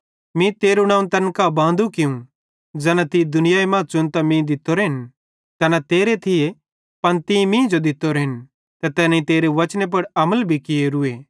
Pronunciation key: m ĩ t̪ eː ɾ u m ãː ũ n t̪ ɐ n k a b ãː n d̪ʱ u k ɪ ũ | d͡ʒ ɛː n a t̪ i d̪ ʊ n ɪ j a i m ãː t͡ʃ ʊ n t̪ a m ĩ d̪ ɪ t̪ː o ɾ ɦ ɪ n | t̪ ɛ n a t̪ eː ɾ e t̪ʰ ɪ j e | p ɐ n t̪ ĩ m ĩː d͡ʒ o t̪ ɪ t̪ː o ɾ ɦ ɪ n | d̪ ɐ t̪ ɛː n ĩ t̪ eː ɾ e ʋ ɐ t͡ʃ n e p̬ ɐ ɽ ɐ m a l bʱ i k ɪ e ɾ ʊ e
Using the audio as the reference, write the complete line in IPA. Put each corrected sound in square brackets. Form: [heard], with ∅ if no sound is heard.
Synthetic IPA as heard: m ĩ t̪ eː ɾ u [n] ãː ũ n t̪ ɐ n k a b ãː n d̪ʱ u k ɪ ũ | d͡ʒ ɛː n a t̪ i d̪ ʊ n ɪ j a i m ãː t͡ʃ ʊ n t̪ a m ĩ d̪ ɪ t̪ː o ɾ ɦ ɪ n | t̪ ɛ n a t̪ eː ɾ e t̪ʰ ɪ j e | p ɐ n t̪ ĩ m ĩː d͡ʒ o [d̪] ɪ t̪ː o ɾ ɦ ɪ n | [t̪] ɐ t̪ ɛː n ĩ t̪ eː ɾ e ʋ ɐ t͡ʃ n e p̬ ɐ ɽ ɐ m [ə] l bʱ i k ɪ e ɾ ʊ e